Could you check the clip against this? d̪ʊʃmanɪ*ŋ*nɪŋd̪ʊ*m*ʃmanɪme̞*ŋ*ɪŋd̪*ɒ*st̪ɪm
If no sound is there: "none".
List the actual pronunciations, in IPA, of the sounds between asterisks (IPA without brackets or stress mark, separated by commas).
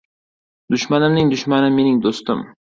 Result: m, none, n, o